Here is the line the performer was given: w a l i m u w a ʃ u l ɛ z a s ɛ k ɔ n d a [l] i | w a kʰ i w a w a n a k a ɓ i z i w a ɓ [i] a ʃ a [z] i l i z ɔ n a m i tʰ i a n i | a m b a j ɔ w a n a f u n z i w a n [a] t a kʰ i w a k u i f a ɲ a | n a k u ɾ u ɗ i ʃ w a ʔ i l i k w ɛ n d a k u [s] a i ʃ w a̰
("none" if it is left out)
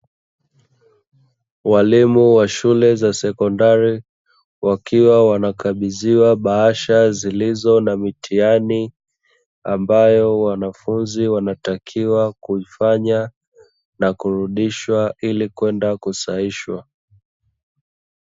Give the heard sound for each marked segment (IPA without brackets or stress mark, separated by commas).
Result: ɾ, a, z, a, s